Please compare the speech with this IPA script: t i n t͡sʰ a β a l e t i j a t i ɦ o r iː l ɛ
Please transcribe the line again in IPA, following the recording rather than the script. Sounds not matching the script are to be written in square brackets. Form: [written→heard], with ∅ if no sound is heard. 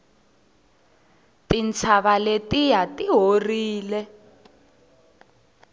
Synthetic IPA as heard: t i n t͡sʰ a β a l e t i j a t i ɦ o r iː l ɛ